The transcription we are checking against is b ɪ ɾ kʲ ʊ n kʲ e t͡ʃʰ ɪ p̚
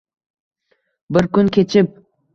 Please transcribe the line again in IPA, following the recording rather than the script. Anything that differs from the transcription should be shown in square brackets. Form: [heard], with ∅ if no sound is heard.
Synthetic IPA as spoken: b ɪ ɾ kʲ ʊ n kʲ e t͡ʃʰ ɪ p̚